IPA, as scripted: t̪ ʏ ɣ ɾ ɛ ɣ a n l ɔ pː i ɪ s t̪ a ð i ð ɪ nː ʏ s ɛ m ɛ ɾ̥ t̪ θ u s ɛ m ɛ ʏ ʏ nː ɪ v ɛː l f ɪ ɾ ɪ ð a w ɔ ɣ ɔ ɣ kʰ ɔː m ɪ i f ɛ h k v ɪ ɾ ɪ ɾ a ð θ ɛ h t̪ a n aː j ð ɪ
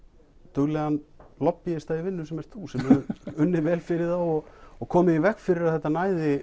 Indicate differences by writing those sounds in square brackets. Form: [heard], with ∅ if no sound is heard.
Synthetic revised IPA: t̪ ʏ ɣ [l] ɛ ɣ a n l ɔ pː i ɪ s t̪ a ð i [v] ɪ nː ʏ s ɛ m ɛ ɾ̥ t̪ θ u s ɛ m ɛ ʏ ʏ nː ɪ v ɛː l f ɪ ɾ ɪ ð a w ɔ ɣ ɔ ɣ kʰ ɔː m ɪ i [v] ɛ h k [f] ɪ ɾ ɪ ɾ a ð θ ɛ h t̪ a n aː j ð ɪ